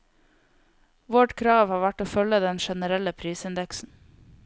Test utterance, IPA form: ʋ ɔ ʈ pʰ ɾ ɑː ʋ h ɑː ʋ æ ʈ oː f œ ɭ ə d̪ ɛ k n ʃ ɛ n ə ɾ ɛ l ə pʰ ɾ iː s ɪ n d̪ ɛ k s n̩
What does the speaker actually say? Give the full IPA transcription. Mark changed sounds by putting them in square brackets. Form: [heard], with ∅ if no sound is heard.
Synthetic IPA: ʋ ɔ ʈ [kʰ] ɾ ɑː ʋ h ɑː ʋ æ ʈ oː f œ [l] ə d̪ ɛ [∅] n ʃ ɛ n ə ɾ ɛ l ə pʰ ɾ iː s ɪ n d̪ ɛ k s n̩